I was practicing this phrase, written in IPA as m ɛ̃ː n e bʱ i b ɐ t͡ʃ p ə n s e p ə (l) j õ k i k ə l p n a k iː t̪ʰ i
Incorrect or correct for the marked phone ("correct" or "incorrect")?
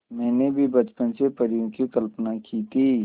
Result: incorrect